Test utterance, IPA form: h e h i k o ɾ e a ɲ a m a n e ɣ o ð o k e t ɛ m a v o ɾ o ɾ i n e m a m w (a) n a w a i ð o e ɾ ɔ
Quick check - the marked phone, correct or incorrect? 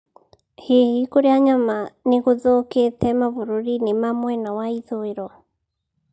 incorrect